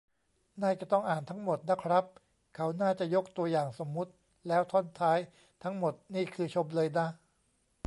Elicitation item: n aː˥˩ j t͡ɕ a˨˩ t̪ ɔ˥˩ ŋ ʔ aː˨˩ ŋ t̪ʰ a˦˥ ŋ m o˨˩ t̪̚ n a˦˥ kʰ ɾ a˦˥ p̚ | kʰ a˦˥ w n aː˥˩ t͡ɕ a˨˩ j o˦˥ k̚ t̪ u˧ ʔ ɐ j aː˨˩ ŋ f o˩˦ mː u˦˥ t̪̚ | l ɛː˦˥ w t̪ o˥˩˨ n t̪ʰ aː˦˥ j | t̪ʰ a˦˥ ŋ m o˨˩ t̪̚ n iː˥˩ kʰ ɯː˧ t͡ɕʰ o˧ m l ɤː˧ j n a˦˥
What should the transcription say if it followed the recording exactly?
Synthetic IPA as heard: n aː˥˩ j t͡ɕ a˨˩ t̪ ɔ˥˩ ŋ ʔ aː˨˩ n t̪ʰ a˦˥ ŋ m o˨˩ t̪̚ n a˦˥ kʰ ɾ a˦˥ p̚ | kʰ a˦˥ w n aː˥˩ t͡ɕ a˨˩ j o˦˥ k̚ t̪ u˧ ɐ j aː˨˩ ŋ s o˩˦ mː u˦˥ t̪̚ | l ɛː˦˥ w t̪ʰ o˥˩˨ n t̪ʰ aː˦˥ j | t̪ʰ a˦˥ ŋ m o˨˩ t̪̚ n iː˥˩ kʰ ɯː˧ t͡ɕʰ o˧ m l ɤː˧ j n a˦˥

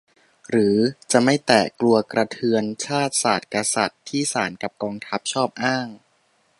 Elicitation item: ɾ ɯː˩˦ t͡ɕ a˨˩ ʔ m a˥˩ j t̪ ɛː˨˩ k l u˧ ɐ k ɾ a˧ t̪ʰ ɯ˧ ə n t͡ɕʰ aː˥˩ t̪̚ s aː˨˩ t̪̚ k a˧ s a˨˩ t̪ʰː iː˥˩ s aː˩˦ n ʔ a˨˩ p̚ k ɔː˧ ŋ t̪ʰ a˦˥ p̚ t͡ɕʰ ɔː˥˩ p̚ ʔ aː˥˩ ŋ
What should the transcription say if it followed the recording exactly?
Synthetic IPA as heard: ɾ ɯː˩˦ t͡ɕ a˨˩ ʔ m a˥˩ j t̪ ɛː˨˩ k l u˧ ɐ k ɾ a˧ t̪ʰ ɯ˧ ə n t͡ɕʰ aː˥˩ t̪̚ s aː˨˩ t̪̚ k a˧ s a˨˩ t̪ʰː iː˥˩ s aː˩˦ n k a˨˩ p̚ k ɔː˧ ŋ t̪ʰ a˦˥ p̚ t͡ɕʰ ɔː˥˩ p̚ ʔ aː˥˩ ŋ

